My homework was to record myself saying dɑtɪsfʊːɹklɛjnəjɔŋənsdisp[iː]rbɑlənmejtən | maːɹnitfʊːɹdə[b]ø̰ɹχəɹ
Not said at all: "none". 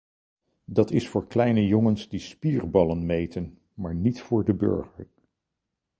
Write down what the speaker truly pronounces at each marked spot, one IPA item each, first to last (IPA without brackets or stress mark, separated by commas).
iː, b